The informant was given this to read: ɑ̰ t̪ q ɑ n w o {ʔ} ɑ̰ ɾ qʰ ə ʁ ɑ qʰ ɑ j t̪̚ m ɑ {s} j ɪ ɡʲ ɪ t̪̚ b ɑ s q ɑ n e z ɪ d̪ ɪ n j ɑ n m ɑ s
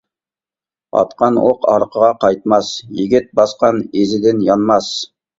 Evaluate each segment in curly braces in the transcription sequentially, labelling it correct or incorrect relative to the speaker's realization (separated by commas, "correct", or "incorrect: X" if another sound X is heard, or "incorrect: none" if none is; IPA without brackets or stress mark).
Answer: incorrect: q, correct